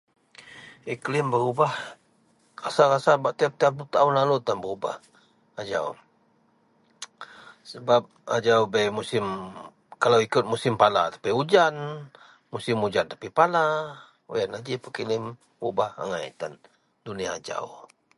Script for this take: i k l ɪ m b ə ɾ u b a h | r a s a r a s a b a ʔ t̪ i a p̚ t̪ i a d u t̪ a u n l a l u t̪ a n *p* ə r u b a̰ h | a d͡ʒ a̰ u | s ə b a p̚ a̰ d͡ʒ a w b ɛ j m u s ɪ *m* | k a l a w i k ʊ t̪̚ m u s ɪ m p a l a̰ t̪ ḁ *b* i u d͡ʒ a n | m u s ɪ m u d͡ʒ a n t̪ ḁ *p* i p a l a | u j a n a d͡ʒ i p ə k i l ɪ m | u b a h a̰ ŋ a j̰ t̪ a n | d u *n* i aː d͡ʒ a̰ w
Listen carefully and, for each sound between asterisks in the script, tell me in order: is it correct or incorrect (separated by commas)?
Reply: incorrect, correct, incorrect, correct, correct